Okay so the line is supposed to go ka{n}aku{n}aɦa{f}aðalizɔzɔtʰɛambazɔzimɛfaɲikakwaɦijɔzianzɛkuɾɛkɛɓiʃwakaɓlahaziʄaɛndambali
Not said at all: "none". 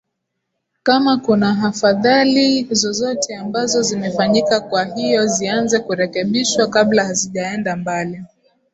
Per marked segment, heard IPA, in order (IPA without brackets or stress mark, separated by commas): m, n, f